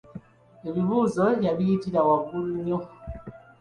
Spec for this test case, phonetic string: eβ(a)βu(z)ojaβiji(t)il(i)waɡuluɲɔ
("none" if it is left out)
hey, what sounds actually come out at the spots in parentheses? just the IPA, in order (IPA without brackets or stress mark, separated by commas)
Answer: i, z, t, a